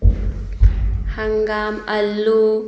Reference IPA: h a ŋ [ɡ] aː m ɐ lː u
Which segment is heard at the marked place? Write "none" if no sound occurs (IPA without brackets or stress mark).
ɡ